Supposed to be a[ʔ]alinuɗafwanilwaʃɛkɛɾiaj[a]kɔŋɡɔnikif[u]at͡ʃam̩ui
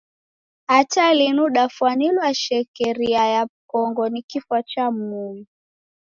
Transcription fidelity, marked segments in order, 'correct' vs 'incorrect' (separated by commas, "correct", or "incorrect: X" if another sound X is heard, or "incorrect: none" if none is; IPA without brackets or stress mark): incorrect: t, correct, incorrect: w